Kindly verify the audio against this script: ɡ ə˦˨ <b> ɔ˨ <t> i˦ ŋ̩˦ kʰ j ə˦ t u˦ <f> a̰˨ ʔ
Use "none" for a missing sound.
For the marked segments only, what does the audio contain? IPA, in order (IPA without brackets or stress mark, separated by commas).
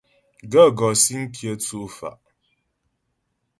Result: ɡ, s, f